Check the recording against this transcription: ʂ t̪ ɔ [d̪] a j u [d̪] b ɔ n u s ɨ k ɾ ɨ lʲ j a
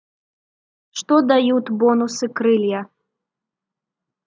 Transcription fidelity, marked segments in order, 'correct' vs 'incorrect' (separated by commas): correct, incorrect